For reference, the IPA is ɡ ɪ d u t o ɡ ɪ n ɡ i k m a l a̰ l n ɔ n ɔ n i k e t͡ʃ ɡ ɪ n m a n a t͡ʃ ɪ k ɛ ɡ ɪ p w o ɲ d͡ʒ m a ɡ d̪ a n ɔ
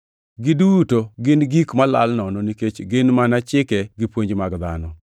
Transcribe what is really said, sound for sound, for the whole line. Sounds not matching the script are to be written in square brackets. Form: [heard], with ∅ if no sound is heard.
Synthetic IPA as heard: ɡ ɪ d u t o ɡ ɪ n ɡ i k m a l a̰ l n ɔ n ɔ n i k e t͡ʃ ɡ ɪ n m a n a t͡ʃ ɪ k ɛ ɡ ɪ p w o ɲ d͡ʒ m a ɡ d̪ a n ɔ